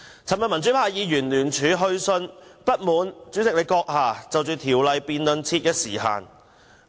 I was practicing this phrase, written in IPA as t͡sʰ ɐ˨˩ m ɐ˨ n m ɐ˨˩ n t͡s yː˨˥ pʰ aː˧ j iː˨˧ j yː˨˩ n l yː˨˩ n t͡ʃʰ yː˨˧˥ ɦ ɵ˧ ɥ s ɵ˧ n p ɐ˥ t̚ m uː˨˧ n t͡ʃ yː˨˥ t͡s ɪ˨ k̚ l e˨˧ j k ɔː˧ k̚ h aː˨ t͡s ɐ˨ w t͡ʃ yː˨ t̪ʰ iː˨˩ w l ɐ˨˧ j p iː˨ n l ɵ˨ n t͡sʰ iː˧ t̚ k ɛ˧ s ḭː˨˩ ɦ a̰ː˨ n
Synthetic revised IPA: t͡sʰ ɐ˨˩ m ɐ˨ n m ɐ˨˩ n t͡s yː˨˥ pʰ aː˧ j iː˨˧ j yː˨˩ n l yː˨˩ n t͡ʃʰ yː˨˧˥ ɦ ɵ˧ ɥ s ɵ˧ n p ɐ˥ t̚ m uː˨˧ n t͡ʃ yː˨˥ t͡s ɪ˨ k̚ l e˨˧ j k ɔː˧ k̚ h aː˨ t͡s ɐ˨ w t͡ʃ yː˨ t̪ʰ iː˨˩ w l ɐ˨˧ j p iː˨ n l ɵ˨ n t͡sʰ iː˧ t̚ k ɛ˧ s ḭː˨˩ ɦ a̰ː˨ n